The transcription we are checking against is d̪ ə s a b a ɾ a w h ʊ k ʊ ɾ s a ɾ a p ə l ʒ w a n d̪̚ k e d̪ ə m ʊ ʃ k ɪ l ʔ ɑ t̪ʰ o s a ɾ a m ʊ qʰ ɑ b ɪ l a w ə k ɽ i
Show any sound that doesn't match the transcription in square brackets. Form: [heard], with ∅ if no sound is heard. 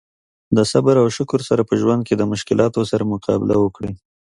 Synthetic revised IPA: d̪ ə s a b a ɾ a w [ʃ] ʊ k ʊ ɾ s a ɾ a p ə [∅] ʒ w a n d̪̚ k e d̪ ə m ʊ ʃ k ɪ l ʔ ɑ [t̪] o s a ɾ a m ʊ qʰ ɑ b ɪ l a w ə k ɽ i